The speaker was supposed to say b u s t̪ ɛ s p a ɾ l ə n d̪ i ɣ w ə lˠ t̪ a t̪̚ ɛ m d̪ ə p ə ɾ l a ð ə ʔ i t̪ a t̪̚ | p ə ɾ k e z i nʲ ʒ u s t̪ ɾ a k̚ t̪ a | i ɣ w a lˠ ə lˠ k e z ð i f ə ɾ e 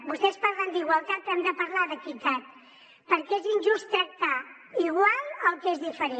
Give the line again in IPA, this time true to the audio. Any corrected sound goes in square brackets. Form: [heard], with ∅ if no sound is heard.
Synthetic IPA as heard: b u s t̪ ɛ s p a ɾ l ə n d̪ i ɣ w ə lˠ t̪ a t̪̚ ɛ m d̪ ə p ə ɾ l a ð ə [k] i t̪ a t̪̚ | p ə ɾ k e z i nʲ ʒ u s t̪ ɾ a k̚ t̪ a | i ɣ w a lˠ ə lˠ k e z ð i f ə ɾ e